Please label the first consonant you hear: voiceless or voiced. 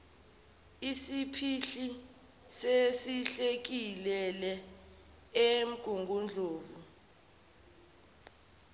voiceless